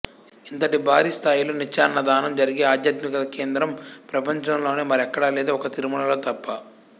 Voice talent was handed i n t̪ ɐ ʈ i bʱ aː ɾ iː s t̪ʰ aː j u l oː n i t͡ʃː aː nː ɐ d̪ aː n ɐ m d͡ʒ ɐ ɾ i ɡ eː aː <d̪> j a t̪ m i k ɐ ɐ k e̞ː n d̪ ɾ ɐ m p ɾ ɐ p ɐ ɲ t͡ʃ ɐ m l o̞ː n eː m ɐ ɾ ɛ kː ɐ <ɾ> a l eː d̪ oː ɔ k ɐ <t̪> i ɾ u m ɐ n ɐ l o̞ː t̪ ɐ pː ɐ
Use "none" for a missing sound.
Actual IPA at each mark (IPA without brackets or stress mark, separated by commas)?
d̪, ɽ, t̪